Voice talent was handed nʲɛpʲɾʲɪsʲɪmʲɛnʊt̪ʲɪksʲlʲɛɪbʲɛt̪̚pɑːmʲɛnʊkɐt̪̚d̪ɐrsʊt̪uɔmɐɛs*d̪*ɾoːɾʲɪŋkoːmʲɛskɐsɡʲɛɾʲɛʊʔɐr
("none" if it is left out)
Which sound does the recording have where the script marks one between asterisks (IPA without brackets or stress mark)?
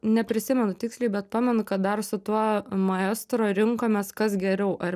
t̪